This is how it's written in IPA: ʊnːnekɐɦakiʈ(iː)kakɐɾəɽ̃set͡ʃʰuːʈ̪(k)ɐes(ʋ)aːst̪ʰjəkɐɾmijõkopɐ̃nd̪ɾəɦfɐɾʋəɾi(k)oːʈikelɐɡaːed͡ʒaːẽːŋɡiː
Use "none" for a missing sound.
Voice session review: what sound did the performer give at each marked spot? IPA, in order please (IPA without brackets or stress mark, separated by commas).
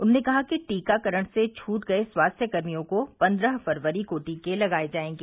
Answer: iː, ɡ, w, k